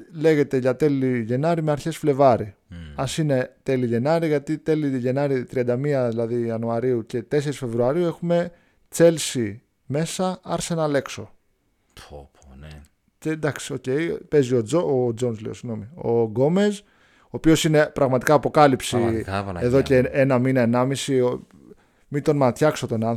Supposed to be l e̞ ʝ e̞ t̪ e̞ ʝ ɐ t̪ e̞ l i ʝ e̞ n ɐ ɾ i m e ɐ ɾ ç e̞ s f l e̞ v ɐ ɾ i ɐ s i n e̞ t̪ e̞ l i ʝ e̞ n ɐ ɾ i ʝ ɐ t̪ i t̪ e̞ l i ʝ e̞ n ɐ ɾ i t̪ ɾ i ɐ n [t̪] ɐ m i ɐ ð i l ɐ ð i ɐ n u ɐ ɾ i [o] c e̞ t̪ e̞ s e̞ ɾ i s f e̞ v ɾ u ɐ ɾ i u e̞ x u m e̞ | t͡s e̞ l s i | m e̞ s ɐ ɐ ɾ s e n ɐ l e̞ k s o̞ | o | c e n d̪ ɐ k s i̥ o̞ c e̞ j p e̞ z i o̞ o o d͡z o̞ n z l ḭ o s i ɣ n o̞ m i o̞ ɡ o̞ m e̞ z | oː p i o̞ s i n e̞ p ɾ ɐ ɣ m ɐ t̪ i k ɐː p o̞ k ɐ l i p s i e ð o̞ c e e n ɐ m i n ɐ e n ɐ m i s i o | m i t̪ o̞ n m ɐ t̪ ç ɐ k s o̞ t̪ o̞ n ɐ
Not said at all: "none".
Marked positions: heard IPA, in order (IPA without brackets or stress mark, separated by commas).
d̪, u